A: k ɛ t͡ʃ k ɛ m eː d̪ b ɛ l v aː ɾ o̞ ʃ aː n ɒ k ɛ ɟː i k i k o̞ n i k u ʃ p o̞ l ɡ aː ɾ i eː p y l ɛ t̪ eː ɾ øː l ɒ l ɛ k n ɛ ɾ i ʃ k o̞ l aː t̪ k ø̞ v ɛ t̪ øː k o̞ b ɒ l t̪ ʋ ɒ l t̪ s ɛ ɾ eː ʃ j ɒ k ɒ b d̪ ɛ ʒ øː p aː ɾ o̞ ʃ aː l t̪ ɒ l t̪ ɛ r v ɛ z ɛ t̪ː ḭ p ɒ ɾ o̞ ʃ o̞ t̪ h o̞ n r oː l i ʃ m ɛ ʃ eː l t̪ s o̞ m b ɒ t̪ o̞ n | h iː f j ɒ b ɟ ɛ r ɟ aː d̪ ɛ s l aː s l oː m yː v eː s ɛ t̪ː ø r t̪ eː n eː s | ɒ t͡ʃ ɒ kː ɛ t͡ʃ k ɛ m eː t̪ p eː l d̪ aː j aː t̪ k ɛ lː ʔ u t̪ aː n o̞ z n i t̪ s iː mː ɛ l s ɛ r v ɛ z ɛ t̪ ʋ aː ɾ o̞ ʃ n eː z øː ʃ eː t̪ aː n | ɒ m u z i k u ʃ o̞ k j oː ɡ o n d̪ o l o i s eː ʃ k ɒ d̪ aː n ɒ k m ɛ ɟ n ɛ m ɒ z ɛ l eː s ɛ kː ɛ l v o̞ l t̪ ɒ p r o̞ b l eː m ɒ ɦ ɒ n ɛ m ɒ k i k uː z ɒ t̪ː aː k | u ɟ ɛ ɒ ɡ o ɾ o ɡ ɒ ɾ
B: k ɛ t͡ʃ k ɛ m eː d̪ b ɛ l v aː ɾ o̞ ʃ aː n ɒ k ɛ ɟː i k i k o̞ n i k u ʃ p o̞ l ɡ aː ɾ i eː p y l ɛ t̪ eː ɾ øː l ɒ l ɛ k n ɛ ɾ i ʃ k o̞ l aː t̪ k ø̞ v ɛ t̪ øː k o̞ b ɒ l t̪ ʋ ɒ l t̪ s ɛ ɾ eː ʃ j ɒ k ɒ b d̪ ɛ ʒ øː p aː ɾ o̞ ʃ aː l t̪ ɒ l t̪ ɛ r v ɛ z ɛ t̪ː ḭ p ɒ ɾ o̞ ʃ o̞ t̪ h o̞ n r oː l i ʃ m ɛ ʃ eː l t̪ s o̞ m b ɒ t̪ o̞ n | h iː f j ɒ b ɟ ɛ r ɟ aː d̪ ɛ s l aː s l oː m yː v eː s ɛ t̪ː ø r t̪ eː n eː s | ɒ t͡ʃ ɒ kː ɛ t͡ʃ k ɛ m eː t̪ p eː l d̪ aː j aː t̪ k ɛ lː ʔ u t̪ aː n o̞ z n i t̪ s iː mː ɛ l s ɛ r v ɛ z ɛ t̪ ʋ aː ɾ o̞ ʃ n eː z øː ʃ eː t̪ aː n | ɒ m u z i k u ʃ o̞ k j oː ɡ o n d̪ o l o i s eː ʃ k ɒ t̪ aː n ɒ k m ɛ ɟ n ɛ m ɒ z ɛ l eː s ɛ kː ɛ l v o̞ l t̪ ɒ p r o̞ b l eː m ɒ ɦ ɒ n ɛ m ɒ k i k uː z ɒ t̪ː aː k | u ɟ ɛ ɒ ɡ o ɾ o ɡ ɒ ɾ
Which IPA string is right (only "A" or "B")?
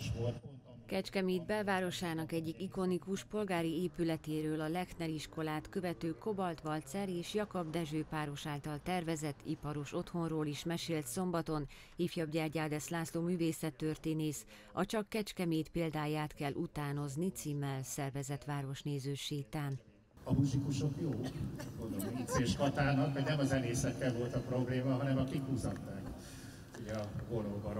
B